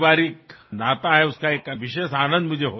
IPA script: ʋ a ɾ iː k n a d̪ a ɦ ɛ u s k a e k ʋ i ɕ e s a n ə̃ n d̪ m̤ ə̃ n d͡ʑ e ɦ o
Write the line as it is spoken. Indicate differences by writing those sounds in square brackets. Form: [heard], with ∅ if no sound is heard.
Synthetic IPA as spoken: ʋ a ɾ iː k n a [t̪] a ɦ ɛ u s k a e k ʋ i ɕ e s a n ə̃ n d̪ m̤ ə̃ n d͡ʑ e ɦ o

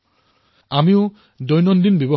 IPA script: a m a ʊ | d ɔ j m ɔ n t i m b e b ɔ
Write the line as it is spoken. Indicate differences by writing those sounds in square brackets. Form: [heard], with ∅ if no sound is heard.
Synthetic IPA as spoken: a m [i] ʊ | d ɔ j [n] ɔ n [d] i [n] b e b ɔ

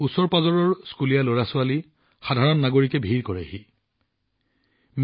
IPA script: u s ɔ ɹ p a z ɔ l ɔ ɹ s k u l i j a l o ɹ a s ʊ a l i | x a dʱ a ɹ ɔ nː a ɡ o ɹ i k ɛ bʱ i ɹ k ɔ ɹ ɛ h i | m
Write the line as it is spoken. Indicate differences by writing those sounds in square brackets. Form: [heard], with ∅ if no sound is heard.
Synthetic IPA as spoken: u s ɔ ɹ p a z ɔ [ɹ] ɔ ɹ s k u l i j a l o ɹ a s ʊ a l i | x a dʱ a ɹ ɔ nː a ɡ o ɹ i k ɛ bʱ i ɹ k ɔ ɹ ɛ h i | m

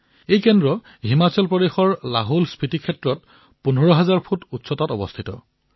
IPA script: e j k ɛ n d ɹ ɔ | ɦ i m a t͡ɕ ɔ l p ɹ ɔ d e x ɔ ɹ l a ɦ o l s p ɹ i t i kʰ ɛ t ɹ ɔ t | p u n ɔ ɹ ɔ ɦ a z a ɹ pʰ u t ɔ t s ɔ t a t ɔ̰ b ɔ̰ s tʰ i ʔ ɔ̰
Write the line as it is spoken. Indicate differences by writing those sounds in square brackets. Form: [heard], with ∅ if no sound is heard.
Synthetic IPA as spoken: e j k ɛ n d ɹ ɔ | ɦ i m a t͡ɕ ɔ l p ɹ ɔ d e x ɔ ɹ l a ɦ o l s p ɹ i t i kʰ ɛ t ɹ ɔ t | p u n ɔ ɹ ɔ ɦ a z a ɹ pʰ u t [u] t s ɔ t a t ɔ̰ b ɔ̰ s tʰ i [t] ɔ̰

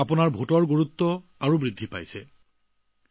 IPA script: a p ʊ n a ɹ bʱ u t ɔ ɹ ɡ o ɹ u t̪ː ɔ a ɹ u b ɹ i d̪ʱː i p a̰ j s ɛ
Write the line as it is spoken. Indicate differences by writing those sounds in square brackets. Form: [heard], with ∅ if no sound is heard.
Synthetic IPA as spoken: a p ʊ n a ɹ bʱ u t ɔ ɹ ɡ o ɹ u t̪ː ɔ a ɹ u b ɹ i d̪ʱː i p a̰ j s ɛ

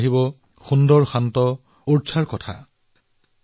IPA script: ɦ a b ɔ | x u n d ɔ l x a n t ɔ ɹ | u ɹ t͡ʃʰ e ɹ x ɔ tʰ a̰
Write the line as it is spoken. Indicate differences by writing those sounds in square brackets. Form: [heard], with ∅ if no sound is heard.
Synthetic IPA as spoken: ɦ [i] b ɔ | x u n d ɔ [ɹ] x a n t ɔ [∅] | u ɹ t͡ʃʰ [a] ɹ [k] ɔ tʰ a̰

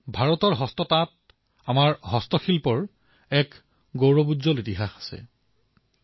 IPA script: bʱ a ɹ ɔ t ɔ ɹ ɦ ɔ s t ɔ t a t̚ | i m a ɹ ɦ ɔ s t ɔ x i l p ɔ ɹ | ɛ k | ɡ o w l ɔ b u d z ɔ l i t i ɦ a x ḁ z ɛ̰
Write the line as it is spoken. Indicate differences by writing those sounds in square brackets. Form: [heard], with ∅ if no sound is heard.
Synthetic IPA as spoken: bʱ a ɹ ɔ t ɔ ɹ ɦ ɔ s t ɔ t a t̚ | [a] m a ɹ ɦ ɔ s t ɔ x i l p ɔ ɹ | ɛ k | ɡ o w [ɹ] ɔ b u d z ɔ l i t i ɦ a x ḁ [s] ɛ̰

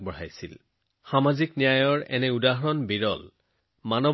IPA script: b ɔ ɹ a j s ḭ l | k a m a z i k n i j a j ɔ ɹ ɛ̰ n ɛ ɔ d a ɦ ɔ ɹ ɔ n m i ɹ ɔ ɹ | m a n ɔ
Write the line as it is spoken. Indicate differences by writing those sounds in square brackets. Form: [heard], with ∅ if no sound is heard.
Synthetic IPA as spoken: b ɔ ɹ a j s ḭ l | [x] a m a z i k n i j a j ɔ ɹ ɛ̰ n ɛ [u] d a ɦ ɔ ɹ ɔ n [b] i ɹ ɔ [l] | m a n ɔ

